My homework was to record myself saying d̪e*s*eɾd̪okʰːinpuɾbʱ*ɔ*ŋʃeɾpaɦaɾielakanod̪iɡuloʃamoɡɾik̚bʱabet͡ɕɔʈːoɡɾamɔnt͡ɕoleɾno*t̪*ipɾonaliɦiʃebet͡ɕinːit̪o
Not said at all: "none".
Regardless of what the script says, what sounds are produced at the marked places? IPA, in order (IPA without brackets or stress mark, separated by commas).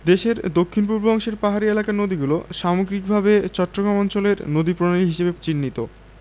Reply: ʃ, ɔ, d̪